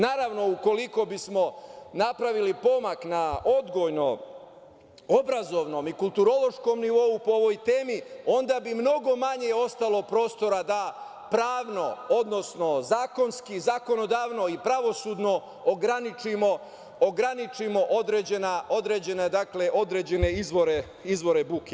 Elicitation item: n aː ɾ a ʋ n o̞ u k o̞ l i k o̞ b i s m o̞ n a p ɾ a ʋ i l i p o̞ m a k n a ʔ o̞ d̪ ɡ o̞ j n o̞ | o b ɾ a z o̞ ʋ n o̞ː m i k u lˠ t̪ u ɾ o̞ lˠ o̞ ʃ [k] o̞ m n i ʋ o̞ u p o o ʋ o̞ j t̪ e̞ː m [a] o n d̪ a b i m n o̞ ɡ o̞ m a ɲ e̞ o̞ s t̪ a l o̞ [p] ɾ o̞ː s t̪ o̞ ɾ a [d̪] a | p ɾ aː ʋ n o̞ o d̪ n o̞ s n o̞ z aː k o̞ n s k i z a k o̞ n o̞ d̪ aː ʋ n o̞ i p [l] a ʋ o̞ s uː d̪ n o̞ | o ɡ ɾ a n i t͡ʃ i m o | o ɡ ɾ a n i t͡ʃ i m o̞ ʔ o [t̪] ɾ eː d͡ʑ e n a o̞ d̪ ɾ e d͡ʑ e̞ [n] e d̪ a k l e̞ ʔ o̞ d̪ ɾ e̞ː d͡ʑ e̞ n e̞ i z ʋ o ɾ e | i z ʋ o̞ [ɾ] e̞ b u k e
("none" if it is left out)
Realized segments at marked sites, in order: k, i, p, d̪, ɾ, d̪, n, ɾ

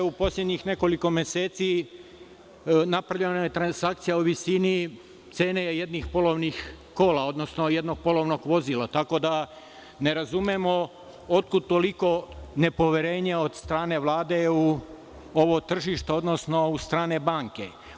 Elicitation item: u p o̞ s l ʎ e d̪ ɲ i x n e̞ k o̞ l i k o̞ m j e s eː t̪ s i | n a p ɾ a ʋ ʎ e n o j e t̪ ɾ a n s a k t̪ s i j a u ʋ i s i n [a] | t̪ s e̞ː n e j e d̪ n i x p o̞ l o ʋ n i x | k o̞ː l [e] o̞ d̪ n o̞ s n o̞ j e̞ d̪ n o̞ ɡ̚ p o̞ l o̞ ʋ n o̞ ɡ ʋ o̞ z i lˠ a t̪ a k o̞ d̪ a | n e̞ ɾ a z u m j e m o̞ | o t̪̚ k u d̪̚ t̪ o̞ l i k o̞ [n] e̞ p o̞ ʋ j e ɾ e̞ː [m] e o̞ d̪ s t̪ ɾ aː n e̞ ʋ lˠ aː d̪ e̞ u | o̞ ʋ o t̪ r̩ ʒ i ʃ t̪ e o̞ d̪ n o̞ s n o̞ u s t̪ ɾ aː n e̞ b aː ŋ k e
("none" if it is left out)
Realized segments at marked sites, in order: i, a, n, ɲ

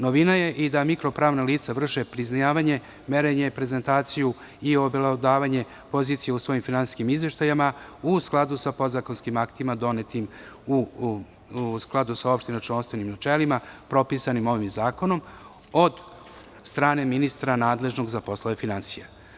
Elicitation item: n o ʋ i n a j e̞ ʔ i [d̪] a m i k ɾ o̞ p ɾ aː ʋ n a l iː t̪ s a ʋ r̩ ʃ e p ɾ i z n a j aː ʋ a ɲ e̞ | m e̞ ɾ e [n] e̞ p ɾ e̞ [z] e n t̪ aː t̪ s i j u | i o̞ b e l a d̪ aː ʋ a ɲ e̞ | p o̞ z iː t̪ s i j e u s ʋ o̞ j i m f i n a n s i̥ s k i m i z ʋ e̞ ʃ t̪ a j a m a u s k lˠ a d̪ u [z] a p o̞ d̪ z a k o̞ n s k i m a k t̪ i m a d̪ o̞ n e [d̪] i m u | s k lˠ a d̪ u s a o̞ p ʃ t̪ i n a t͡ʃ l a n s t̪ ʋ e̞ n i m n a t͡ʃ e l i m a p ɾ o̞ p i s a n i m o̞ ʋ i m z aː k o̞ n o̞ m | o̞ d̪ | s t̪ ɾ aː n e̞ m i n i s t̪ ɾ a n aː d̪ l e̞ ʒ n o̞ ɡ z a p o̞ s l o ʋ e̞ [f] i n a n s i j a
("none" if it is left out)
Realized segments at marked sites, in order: d̪, ɲ, z, s, t̪, f

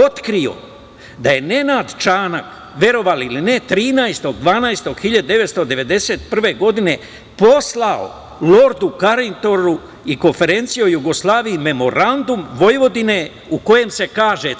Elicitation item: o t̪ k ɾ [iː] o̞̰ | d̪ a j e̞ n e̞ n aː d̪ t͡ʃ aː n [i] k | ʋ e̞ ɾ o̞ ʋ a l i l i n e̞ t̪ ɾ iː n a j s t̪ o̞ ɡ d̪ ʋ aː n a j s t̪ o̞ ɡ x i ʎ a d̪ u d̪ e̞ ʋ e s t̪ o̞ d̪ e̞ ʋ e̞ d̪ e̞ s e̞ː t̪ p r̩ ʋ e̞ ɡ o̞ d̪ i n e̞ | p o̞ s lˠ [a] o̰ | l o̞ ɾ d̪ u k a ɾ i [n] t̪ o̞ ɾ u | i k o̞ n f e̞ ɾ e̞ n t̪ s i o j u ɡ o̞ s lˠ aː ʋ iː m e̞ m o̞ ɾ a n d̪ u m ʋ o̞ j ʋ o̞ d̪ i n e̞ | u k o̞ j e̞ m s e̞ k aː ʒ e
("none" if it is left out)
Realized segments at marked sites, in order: i, a, a, n

